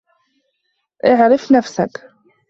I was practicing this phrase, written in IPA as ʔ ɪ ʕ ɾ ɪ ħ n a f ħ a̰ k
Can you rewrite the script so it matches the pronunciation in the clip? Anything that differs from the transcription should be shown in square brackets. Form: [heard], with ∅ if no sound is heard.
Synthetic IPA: ʔ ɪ ʕ ɾ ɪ [f] n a f [s] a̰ k